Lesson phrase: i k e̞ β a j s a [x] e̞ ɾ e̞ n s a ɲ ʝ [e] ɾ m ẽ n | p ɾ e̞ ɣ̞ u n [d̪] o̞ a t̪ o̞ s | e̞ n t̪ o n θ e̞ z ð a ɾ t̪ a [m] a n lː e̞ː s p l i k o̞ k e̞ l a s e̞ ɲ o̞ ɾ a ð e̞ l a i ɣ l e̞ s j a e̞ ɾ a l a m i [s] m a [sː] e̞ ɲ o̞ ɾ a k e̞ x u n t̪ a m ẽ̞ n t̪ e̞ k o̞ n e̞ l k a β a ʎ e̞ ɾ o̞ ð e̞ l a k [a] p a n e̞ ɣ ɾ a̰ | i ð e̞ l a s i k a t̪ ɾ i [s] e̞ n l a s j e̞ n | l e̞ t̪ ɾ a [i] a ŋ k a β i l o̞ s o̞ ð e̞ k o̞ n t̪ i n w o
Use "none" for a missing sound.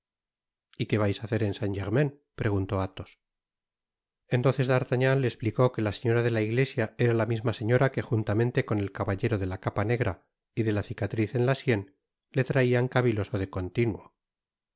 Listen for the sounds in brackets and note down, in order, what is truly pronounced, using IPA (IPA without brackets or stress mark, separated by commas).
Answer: θ, e, t̪, ɲ, z, s, a, θ, i